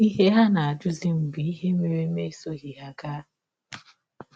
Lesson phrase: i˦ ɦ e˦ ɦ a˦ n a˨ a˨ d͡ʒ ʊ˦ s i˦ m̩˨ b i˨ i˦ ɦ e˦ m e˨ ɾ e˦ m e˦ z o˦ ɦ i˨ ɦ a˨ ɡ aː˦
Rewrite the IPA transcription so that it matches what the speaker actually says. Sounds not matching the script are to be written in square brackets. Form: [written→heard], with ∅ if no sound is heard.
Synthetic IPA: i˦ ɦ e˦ ɦ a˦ n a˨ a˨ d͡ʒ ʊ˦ [s→z] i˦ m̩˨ b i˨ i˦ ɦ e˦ m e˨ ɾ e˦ m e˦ [z→s] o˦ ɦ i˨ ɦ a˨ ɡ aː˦